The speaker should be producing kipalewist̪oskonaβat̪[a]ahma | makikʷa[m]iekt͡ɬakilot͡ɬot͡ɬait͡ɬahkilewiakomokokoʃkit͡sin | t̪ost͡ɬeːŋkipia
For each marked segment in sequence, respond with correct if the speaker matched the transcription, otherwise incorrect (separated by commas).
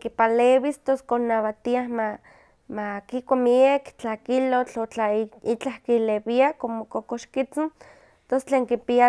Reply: incorrect, correct